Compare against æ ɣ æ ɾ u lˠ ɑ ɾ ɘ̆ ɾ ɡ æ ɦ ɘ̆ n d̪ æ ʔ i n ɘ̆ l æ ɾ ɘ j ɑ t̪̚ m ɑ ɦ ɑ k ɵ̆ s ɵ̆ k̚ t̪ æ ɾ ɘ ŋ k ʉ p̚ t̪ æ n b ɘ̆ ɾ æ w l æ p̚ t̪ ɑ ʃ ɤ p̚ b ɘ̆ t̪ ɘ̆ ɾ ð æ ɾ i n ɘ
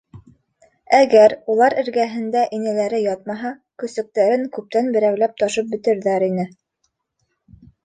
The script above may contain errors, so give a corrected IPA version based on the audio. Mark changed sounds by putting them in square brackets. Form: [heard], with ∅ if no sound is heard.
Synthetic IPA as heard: æ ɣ æ ɾ u lˠ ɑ ɾ ɘ̆ ɾ ɡ æ ɦ ɘ̆ n d̪ æ ʔ i n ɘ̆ l æ ɾ ɘ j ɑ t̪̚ m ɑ ɦ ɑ k ɵ̆ s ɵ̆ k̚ t̪ æ ɾ ɘ ŋ k ʉ p̚ t̪ æ n b ɘ̆ ɾ æ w l æ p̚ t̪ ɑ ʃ ɤ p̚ b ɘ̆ t̪ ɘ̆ ɾ ð æ ɾ i n ɘ